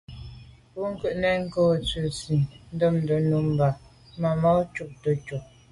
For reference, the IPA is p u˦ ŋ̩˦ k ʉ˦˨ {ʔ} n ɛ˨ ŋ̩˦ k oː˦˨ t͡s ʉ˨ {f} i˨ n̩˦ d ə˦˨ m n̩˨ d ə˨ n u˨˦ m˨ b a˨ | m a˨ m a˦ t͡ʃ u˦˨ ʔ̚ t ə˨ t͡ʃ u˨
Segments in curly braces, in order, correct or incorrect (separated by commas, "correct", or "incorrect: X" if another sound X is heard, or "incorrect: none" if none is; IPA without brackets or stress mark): correct, incorrect: s